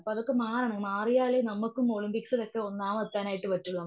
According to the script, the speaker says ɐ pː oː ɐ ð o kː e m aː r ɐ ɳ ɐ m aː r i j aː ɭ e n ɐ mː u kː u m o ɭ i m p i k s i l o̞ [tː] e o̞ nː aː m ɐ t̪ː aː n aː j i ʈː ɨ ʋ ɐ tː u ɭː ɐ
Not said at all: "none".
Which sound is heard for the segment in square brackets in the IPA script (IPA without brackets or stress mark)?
kː